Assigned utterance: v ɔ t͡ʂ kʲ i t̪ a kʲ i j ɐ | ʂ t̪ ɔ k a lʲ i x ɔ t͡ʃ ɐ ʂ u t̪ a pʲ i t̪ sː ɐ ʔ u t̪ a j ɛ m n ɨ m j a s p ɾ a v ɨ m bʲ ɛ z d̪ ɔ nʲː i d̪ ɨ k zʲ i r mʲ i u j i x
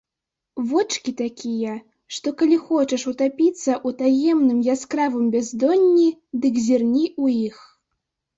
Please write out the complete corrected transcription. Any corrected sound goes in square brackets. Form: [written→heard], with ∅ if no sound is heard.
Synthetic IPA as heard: v ɔ t͡ʂ kʲ i t̪ a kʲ i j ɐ | ʂ t̪ ɔ k a lʲ i x ɔ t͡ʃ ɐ ʂ u t̪ a pʲ i t̪ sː ɐ ʔ u t̪ a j ɛ m n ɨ m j a s [p→k] ɾ a v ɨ m bʲ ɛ z d̪ ɔ nʲː i d̪ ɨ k zʲ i r [mʲ→nʲ] i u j i x